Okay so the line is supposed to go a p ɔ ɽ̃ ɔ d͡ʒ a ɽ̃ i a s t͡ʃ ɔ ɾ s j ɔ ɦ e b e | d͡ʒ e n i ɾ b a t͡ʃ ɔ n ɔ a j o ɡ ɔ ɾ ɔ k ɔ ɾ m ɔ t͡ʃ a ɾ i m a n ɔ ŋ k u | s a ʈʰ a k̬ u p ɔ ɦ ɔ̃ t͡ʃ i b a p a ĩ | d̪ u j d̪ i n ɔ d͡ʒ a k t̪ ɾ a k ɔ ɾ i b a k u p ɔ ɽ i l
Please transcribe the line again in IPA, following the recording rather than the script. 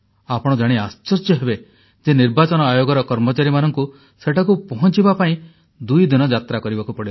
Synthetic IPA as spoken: a p ɔ ɽ̃ ɔ d͡ʒ a ɽ̃ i a s t͡ʃ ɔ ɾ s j ɔ ɦ e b e | d͡ʒ e n i ɾ b a t͡ʃ ɔ n ɔ a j o ɡ ɔ ɾ ɔ k ɔ ɾ m ɔ t͡ʃ a ɾ i m a n ɔ ŋ k u | s e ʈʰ a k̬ u p ɔ ɦ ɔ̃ t͡ʃ i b a p a ĩ | d̪ u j d̪ i n ɔ d͡ʒ a t̪ ɾ a k ɔ ɾ i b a k u p ɔ ɽ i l